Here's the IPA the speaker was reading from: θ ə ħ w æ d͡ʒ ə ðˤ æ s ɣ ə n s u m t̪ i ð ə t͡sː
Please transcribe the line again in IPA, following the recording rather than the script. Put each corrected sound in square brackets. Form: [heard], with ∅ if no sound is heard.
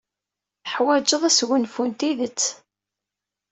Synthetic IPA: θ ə ħ w æ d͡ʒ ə ðˤ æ s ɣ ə n [f] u [n] t̪ i ð ə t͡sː